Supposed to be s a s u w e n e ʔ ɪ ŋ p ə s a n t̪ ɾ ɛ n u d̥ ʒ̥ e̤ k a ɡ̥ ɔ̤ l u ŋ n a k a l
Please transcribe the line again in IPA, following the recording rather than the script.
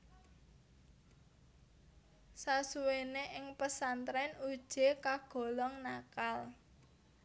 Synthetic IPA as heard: s a s u w e n e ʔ ɪ ŋ p ə s a n t̪ ɾ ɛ n u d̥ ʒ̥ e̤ k a ɡ̥ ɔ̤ l ɔ ŋ n a k a l